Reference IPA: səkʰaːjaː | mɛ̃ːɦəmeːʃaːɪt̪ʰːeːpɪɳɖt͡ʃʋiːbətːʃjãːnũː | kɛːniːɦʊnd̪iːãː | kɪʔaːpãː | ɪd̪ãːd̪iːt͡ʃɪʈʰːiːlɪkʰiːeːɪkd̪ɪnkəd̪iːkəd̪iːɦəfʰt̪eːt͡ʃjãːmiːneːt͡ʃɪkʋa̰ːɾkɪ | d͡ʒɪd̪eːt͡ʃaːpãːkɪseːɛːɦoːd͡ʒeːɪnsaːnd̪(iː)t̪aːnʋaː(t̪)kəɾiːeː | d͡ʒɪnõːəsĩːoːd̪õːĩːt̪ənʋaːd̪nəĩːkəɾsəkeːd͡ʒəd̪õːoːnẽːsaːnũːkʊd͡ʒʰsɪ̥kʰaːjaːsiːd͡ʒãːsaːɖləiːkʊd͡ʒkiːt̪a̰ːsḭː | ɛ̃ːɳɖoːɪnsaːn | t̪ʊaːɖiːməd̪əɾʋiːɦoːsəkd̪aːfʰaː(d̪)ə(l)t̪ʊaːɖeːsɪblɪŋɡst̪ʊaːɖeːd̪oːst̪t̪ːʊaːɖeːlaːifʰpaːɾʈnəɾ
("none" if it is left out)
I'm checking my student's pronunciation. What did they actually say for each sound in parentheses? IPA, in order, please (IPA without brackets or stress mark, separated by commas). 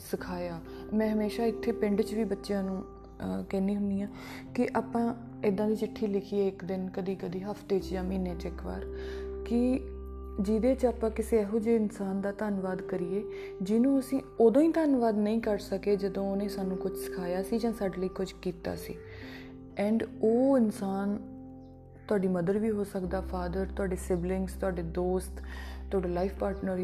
aː, d̪, d̪, ɾ